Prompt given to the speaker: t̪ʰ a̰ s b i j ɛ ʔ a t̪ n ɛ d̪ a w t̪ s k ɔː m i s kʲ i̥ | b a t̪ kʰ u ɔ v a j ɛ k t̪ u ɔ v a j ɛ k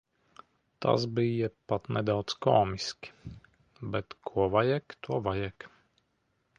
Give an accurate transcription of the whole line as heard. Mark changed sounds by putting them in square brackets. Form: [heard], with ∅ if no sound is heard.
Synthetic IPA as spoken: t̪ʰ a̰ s b i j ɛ [p] a t̪ n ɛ d̪ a w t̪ s k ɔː m i s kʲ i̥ | b [ɛ] t̪ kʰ u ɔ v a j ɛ k t̪ u ɔ v a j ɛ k